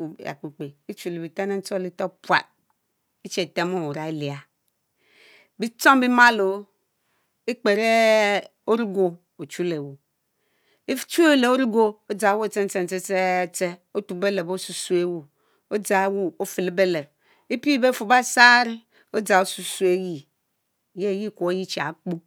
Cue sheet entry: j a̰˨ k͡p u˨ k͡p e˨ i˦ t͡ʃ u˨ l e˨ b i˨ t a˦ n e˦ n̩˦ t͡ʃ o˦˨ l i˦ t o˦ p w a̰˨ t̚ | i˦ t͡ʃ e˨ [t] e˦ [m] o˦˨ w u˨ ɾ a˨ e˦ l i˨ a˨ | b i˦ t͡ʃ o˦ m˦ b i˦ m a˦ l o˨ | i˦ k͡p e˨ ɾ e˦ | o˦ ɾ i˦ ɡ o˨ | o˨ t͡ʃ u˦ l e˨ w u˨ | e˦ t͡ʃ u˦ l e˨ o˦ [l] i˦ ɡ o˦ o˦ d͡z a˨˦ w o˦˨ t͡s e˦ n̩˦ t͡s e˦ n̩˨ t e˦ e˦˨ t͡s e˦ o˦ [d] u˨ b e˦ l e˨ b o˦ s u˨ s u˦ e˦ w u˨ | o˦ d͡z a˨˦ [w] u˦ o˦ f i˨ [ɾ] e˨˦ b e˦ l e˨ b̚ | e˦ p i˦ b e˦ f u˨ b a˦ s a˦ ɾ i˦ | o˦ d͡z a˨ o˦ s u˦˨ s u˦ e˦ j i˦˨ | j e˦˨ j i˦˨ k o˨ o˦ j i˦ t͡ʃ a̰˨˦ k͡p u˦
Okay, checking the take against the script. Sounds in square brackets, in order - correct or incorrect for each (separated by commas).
correct, correct, incorrect, incorrect, correct, incorrect